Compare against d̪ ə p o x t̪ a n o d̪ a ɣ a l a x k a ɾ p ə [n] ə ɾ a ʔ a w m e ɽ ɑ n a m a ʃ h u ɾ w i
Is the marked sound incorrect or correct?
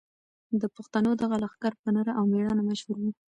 correct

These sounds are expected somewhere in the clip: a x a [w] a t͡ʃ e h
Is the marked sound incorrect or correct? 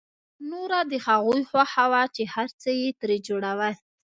correct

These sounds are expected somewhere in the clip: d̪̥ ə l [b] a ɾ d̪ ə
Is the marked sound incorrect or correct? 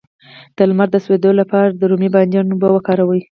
incorrect: m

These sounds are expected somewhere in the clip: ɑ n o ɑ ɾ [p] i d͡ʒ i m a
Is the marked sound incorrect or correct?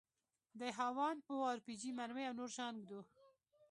correct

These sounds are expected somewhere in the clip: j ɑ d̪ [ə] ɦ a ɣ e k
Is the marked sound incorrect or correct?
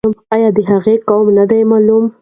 correct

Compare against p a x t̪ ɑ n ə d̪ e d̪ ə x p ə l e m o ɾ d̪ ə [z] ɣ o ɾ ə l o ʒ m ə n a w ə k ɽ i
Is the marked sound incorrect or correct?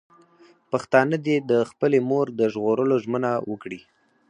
incorrect: ʒ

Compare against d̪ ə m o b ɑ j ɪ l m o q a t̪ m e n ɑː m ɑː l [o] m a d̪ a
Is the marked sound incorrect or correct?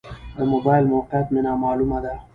incorrect: u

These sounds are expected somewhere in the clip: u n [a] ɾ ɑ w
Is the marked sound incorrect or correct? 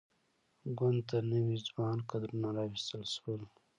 correct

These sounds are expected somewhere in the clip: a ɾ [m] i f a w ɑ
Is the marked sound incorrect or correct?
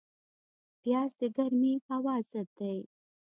correct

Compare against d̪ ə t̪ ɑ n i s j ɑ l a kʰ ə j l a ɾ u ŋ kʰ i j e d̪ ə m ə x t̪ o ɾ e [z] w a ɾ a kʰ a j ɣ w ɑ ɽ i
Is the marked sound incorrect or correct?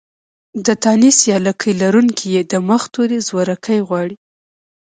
correct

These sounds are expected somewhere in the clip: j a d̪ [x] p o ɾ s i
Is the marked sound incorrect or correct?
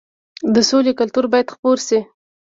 correct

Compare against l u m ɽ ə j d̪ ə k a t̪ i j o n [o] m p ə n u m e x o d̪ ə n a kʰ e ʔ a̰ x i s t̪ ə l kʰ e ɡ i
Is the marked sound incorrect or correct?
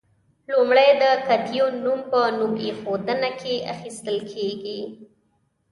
incorrect: u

